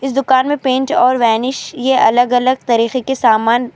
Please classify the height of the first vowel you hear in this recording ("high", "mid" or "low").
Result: high